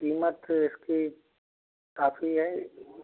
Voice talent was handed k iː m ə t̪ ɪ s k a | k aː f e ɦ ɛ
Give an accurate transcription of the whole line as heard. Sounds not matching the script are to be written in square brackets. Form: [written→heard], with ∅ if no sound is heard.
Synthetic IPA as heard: k iː m ə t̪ ɪ s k [a→i] | k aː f [e→i] ɦ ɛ